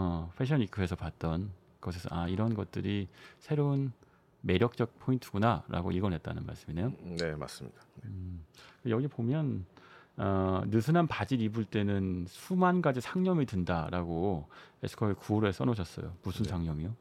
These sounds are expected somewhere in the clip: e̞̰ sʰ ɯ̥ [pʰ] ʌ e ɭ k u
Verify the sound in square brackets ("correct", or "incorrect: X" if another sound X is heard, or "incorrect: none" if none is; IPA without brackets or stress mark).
incorrect: kʰ